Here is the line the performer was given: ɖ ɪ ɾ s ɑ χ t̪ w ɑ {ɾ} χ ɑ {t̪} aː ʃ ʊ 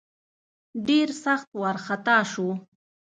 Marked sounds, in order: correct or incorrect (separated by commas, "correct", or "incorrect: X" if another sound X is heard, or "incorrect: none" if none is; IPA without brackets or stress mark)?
correct, correct